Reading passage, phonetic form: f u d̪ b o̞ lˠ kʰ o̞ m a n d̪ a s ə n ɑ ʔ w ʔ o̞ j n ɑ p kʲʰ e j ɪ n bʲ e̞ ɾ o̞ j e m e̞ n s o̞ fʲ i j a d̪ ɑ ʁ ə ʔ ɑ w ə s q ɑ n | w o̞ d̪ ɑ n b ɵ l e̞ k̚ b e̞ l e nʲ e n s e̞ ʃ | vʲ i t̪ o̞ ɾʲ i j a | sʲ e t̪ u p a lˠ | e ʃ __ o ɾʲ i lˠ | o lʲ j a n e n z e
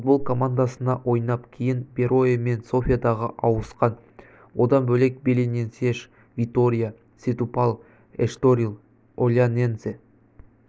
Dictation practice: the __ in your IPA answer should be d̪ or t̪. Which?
t̪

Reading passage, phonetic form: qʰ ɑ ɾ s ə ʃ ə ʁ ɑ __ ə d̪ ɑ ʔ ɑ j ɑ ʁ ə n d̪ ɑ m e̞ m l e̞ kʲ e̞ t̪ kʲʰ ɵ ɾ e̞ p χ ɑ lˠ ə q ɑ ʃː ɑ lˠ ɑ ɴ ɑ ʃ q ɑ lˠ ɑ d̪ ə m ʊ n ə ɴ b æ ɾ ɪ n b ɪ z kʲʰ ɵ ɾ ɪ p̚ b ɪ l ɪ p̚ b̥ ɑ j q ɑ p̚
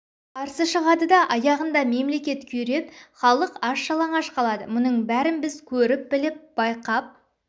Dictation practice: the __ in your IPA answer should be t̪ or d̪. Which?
d̪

